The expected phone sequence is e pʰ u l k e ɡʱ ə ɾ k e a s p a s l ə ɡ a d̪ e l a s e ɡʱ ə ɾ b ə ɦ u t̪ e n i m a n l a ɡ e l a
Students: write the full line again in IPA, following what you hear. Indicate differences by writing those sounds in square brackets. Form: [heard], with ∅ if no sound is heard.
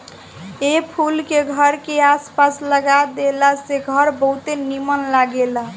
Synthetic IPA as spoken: e pʰ u l k e ɡʱ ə ɾ k e a s p a s l ə ɡ a d̪ e l a s e ɡʱ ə ɾ b ə ɦ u t̪ e n i m [ə] n l a ɡ e l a